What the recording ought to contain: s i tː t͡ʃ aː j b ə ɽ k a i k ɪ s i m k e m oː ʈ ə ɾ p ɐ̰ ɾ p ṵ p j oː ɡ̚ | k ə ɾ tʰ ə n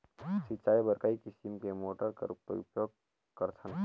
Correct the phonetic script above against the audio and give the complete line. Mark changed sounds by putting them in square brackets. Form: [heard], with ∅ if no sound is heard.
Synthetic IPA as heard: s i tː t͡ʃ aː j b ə [ɾ] k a i k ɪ s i m k e m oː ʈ ə ɾ [k] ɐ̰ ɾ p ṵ p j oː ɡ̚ | k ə ɾ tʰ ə n